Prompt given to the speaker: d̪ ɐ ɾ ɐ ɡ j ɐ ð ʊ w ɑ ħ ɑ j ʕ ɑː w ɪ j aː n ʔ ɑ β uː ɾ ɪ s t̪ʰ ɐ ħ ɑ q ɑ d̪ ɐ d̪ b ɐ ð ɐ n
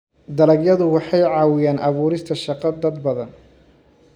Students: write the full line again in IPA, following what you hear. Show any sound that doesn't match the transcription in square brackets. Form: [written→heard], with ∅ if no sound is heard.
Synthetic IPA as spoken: d̪ ɐ [ɾ→l] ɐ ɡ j ɐ ð ʊ w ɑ ħ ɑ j ʕ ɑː w ɪ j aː n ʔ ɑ β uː ɾ ɪ s t̪ʰ ɐ [ħ→ʃ] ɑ q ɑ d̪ ɐ d̪ b ɐ ð ɐ n